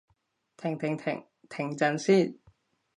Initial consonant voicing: voiceless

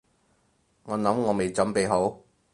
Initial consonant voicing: voiced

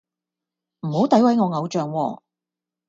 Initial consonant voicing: voiced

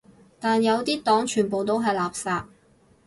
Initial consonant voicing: voiceless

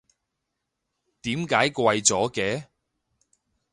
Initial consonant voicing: voiceless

